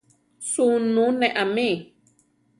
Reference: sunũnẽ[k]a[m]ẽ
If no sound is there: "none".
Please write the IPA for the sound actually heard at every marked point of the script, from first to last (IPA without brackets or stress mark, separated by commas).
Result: ʔ, m